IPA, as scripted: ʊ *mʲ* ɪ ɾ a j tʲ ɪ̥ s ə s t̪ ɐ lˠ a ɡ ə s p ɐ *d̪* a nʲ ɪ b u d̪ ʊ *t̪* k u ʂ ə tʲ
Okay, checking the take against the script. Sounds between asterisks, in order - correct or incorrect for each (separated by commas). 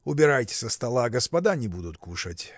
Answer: incorrect, correct, correct